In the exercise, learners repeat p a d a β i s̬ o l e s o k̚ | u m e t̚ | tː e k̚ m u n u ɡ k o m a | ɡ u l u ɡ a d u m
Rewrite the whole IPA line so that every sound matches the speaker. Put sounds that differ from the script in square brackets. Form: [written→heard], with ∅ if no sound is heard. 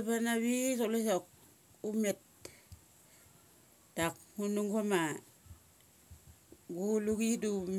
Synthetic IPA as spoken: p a [d→n] a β i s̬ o l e s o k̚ | u m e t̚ | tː [e→a] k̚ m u n u [ɡ→ŋ] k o m a | ɡ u l u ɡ [a→i] d u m